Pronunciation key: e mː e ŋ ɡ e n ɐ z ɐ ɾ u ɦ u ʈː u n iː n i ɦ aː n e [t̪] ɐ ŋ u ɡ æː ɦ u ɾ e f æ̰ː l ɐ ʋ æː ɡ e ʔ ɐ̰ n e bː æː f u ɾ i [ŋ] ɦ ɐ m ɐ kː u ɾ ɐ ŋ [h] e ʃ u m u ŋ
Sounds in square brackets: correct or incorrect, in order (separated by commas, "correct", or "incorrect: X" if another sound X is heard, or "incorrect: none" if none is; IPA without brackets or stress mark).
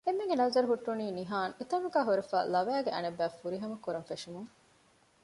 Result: correct, incorrect: none, incorrect: f